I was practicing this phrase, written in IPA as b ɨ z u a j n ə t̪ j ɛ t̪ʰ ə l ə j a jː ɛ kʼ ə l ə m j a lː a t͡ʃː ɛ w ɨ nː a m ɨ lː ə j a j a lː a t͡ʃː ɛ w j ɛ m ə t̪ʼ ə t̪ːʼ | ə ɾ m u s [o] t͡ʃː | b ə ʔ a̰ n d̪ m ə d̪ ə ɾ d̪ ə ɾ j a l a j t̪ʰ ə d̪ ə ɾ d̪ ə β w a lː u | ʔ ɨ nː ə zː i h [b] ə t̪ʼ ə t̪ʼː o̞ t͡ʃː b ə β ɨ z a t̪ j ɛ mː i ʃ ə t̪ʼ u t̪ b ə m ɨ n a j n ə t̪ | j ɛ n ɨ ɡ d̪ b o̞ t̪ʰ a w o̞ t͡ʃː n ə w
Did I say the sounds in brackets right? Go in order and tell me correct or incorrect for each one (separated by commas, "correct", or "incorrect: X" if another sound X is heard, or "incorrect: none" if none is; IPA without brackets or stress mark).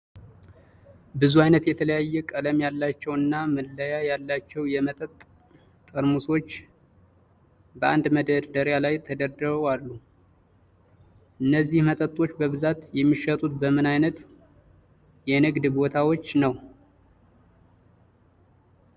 correct, incorrect: m